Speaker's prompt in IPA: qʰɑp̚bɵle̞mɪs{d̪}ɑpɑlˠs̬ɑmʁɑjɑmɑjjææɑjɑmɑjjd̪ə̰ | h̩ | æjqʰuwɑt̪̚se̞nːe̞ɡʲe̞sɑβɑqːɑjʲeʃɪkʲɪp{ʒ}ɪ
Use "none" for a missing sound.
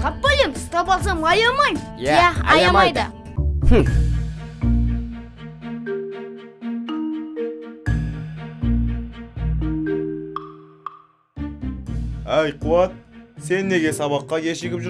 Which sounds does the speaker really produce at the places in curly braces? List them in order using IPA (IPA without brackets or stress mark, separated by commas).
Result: t̪, ʒ